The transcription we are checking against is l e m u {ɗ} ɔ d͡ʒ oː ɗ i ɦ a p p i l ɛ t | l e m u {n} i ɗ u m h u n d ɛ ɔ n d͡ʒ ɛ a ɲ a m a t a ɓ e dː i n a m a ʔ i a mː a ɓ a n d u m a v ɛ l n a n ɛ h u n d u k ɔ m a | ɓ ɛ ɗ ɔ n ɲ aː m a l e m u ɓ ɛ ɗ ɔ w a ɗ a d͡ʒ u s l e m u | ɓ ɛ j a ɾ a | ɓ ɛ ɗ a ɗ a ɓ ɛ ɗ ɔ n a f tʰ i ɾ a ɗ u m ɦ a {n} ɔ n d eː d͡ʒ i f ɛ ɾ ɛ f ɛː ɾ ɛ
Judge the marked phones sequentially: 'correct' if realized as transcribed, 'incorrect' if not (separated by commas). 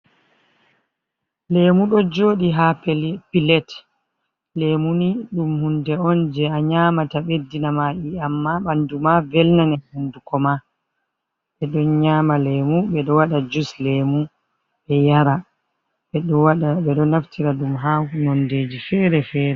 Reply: correct, correct, correct